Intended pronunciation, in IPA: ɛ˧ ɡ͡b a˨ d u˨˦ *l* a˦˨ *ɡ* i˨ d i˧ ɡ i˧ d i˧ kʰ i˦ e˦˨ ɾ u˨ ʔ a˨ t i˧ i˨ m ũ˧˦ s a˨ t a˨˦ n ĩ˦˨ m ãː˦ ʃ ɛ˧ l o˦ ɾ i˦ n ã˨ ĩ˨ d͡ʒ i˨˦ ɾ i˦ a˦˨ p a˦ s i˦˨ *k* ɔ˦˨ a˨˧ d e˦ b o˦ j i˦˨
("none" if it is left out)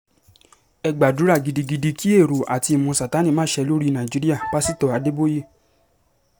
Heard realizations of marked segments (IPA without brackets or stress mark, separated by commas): ɾ, ɡ, t